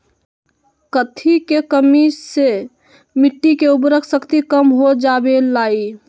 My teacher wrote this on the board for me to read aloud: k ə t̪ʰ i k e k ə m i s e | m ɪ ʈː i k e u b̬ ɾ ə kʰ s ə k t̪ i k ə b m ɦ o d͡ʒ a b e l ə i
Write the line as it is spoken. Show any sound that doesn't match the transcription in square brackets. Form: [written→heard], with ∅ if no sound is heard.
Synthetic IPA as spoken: k ə t̪ʰ i k e k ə m i s e | m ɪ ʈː i k e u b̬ ɾ ə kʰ s ə k t̪ i k ə [b→∅] m ɦ o d͡ʒ a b e l [ə→a] i